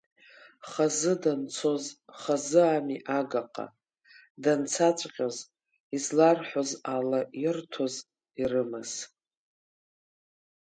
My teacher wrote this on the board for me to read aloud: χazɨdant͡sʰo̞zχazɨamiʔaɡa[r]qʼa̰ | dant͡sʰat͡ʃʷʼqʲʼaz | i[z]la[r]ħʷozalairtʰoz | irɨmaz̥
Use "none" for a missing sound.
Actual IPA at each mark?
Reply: none, z, r

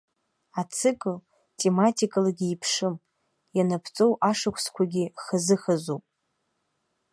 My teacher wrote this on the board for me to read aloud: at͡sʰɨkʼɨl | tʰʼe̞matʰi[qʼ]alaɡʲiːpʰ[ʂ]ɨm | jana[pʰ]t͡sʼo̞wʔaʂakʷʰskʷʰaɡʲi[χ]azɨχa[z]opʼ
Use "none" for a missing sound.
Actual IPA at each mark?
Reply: kʼ, ʂ, pʰ, χ, z

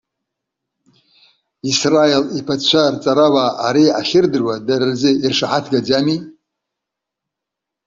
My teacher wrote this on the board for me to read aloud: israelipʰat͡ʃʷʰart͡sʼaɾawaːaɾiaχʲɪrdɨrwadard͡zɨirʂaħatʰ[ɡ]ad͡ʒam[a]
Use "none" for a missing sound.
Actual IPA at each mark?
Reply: ɡ, i

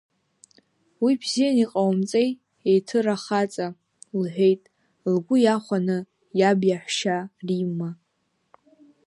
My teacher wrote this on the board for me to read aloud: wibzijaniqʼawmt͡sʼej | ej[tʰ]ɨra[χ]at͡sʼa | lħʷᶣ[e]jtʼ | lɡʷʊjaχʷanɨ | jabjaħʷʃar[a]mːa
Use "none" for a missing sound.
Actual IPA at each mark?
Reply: tʰ, χ, e, i

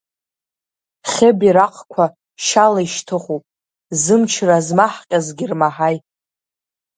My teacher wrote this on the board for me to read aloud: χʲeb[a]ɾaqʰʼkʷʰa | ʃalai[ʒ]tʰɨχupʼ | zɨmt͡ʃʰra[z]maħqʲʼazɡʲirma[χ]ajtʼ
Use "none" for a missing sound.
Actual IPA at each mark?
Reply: i, ʃ, z, ħ

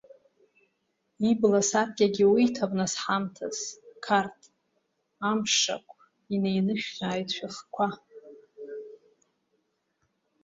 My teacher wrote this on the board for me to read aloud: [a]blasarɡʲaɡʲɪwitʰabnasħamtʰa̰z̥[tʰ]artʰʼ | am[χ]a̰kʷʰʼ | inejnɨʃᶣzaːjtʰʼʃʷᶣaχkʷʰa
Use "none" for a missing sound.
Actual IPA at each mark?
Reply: i, kʰ, ʂ

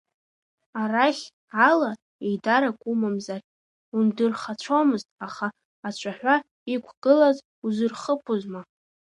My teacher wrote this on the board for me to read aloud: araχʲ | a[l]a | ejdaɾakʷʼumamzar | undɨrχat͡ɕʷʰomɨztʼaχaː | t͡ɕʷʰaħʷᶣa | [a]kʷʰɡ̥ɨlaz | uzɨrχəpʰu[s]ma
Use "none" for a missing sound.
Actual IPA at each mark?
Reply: l, i, z

